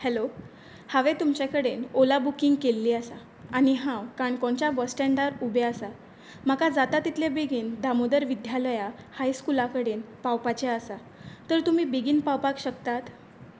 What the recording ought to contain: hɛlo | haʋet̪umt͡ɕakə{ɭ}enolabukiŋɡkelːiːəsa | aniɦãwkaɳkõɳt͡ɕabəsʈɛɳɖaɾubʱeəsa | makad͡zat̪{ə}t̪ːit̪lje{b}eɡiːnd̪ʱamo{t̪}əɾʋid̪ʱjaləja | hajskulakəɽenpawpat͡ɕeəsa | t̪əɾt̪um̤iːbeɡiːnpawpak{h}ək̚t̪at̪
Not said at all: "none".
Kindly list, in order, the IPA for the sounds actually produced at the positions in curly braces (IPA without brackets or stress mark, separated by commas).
ɽ, a, b, d̪, ɕ